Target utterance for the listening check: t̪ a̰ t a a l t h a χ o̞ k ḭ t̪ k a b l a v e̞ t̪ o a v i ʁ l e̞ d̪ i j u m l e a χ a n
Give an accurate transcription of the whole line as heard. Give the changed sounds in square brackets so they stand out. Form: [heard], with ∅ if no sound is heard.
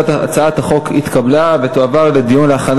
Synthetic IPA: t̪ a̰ [t͡s] a a [∅] t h a χ o̞ k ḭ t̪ k a b l a v e̞ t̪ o a v [a] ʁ l e̞ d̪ i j u [n] l e a χ a n